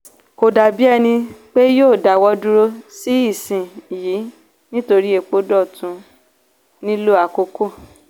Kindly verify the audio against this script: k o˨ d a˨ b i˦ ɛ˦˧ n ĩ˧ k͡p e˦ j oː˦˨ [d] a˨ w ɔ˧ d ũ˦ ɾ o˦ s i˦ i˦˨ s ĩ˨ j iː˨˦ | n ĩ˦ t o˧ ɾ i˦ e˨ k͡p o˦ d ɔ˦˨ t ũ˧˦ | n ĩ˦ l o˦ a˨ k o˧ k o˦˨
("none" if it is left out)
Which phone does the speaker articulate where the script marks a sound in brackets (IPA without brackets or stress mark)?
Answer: d